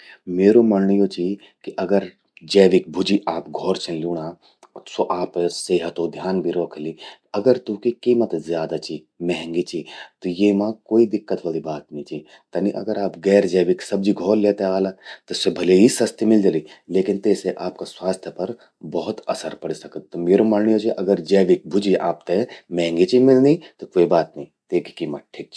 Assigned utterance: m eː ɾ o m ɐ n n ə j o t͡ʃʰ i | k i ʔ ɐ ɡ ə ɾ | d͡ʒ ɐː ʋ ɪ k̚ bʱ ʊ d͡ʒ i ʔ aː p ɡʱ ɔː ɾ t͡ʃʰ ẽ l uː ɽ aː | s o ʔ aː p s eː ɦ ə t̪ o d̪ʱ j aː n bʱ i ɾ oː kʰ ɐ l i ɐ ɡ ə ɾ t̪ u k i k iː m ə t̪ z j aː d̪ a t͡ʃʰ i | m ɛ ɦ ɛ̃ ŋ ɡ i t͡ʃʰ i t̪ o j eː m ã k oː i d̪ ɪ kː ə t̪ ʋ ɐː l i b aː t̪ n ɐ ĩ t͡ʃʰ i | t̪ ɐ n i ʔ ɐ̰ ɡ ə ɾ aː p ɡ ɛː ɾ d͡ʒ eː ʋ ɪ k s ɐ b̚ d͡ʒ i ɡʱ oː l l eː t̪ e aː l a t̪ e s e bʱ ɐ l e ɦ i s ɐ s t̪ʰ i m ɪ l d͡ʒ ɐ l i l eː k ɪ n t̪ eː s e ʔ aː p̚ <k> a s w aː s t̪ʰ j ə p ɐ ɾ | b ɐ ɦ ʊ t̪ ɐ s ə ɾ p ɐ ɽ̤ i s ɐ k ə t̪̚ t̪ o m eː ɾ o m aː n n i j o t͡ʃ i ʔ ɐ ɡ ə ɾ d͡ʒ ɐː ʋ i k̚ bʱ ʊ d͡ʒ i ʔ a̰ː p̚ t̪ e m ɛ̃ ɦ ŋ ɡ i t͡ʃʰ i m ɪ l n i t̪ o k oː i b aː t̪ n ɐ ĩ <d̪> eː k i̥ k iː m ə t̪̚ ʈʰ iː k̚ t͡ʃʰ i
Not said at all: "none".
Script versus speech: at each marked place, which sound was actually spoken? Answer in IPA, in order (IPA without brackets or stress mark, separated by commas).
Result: k, t̪